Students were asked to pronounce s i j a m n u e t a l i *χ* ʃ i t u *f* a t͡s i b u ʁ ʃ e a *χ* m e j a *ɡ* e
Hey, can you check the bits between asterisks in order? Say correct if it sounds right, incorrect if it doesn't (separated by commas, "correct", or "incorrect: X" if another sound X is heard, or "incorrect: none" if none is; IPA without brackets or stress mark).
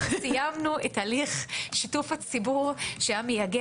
correct, correct, incorrect: none, correct